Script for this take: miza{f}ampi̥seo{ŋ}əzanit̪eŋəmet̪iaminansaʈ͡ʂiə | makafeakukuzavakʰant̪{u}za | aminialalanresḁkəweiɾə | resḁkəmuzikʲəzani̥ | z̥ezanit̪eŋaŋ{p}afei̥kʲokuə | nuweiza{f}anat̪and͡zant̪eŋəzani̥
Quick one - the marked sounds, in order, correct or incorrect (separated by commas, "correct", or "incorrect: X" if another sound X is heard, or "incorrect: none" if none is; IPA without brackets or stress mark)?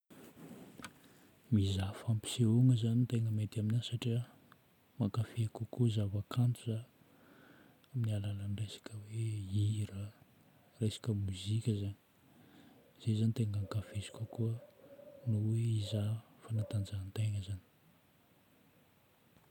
correct, correct, correct, incorrect: k, correct